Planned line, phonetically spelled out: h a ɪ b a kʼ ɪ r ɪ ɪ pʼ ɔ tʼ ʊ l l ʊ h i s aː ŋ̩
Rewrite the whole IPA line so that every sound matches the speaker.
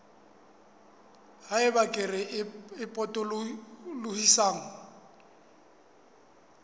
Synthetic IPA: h a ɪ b a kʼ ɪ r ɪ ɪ pʼ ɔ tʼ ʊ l l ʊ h i s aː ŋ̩